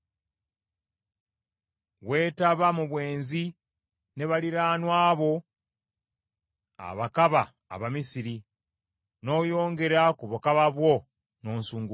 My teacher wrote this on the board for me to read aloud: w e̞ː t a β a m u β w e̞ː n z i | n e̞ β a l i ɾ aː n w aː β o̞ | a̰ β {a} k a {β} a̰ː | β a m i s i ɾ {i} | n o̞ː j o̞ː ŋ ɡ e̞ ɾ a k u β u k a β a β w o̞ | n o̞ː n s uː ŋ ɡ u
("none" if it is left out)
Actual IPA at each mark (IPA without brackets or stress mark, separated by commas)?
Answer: a, β, i